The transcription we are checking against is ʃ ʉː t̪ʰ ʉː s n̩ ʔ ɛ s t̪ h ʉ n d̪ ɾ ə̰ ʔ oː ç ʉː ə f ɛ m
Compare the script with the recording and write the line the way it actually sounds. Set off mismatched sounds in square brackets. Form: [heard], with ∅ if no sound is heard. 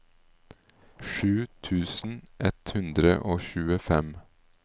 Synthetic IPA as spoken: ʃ ʉː t̪ʰ ʉː s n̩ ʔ ɛ [∅] t̪ h ʉ n d̪ ɾ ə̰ ʔ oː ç ʉː ə f ɛ m